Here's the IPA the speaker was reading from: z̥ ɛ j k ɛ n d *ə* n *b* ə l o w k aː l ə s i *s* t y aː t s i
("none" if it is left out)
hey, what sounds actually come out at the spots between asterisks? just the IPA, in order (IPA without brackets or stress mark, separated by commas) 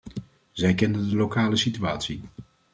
ə, d, none